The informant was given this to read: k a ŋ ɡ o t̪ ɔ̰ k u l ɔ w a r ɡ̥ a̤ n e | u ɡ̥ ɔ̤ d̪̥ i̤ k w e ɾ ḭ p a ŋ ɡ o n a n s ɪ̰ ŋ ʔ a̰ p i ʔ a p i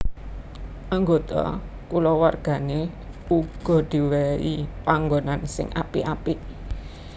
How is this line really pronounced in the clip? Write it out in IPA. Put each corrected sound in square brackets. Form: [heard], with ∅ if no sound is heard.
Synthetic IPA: [ʔ] a ŋ ɡ o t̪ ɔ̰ k u l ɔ w a r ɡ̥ a̤ n e | u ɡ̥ ɔ̤ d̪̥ i̤ [∅] w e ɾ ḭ p a ŋ ɡ o n a n s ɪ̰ ŋ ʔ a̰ p i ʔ a p i